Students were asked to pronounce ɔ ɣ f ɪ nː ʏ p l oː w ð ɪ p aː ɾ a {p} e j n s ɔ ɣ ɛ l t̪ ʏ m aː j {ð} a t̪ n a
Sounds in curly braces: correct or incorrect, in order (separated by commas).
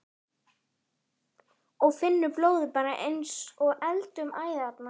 incorrect, correct